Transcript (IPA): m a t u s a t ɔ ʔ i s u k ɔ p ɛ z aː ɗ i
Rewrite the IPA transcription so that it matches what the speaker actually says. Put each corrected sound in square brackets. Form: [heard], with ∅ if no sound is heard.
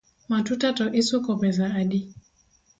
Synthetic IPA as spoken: m a t u [t] a t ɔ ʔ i s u k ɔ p ɛ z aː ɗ i